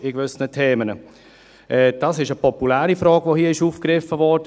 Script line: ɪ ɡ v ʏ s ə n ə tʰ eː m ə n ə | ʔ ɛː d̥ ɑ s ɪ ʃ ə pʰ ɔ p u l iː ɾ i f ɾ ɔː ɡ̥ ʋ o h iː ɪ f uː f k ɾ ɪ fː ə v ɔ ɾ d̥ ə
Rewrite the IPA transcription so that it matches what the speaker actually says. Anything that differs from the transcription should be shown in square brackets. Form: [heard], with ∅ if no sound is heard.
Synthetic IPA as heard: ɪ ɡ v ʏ s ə n ə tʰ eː m ə n ə | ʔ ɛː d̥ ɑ s ɪ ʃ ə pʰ ɔ p u l [æː] ɾ i f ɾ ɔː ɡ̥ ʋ o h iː ɪ [ʃ] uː f k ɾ ɪ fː ə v ɔ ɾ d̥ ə